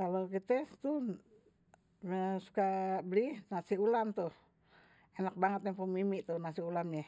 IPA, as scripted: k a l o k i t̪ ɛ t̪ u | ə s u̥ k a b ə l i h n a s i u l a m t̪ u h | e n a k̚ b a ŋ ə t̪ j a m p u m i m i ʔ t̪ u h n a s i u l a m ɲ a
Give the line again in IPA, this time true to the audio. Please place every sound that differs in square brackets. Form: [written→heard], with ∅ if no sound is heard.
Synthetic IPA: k a l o k i t̪ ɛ t̪ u | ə s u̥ k a b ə l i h n a s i u l a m t̪ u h | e n a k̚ b a ŋ ə t̪ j a [m→ŋ] p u m i m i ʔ t̪ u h n a s i u l a m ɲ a